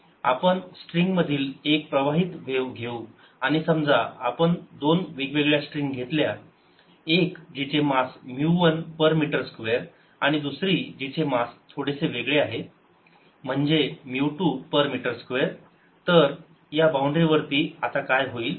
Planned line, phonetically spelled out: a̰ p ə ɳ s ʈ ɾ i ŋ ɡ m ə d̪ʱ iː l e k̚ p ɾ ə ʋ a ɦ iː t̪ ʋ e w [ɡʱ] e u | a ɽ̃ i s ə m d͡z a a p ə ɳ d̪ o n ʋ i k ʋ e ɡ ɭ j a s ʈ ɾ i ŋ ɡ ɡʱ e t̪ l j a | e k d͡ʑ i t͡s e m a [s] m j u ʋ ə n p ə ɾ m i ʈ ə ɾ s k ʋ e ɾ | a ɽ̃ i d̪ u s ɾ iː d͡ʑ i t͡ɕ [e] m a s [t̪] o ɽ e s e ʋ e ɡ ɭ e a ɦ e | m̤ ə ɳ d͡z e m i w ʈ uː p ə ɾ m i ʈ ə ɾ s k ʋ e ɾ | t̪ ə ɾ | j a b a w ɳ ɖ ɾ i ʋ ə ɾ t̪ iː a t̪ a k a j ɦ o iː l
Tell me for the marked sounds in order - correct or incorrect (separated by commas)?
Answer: correct, correct, correct, incorrect